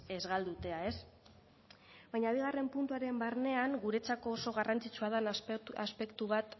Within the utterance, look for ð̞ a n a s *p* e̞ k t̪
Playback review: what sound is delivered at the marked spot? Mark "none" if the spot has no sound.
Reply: p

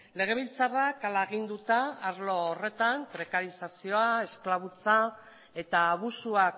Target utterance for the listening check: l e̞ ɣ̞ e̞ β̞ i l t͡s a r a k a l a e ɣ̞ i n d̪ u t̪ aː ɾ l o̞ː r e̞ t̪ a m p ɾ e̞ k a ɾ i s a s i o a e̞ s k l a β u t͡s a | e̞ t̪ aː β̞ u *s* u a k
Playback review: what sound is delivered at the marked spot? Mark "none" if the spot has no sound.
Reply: s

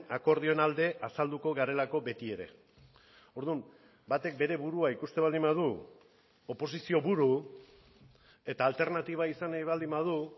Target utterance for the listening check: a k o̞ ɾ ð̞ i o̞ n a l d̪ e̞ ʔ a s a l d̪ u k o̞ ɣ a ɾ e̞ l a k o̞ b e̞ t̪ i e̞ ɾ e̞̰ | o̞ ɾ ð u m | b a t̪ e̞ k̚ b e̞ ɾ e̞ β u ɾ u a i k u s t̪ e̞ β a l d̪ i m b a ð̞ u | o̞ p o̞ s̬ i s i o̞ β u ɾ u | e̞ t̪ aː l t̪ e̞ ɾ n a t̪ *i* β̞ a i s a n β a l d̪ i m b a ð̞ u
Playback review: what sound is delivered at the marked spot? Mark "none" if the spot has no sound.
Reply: i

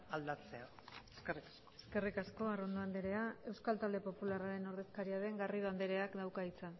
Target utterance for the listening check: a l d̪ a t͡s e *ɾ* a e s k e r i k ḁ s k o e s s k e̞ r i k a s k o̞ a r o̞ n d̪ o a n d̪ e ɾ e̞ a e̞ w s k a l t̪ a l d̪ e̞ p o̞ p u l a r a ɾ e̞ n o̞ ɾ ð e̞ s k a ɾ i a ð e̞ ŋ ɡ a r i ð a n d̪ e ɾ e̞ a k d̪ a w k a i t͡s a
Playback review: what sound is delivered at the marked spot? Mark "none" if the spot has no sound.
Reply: none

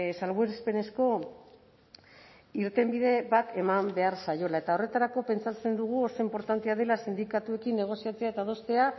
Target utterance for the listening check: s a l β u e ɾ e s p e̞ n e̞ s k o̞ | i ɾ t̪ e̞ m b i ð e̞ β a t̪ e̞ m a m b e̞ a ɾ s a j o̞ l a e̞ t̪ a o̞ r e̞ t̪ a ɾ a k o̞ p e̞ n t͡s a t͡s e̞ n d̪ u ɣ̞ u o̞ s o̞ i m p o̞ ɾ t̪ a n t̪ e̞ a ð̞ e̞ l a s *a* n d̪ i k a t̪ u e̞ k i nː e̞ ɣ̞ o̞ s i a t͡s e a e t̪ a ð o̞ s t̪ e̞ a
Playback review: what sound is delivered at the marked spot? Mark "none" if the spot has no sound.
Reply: i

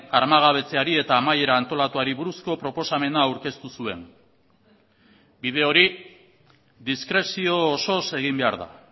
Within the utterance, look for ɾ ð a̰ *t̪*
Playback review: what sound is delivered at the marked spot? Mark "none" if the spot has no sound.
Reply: none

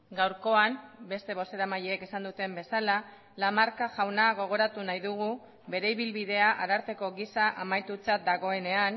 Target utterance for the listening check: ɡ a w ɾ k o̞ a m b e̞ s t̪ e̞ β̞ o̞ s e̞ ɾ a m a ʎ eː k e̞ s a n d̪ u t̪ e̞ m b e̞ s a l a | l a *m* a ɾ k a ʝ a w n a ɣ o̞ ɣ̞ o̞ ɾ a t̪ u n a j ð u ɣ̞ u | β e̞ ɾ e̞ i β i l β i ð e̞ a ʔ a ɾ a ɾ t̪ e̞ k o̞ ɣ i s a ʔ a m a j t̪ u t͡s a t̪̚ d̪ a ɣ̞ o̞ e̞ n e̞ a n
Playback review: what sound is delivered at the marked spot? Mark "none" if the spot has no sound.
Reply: m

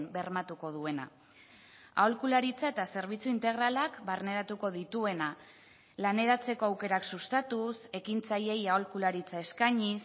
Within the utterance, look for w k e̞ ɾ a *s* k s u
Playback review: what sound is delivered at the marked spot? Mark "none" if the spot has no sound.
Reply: none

